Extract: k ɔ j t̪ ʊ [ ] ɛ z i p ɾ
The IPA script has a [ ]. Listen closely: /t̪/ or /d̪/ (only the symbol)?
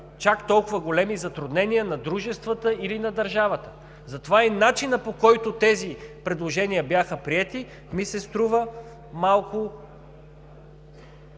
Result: t̪